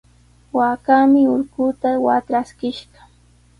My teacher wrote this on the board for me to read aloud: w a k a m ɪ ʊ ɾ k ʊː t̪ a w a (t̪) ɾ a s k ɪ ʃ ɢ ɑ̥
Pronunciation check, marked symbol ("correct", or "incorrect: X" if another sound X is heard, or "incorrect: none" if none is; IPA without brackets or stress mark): correct